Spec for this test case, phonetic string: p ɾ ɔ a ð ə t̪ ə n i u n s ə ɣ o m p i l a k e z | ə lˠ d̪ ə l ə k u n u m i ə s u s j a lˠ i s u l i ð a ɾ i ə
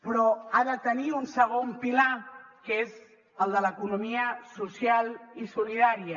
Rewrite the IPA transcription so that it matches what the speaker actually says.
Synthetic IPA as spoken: p ɾ ɔ a ð ə t̪ ə n i u n s ə ɣ o m p i l a k e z | ə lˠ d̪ ə l ə k u n u m i ə s u s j a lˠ i s u l i ð a ɾ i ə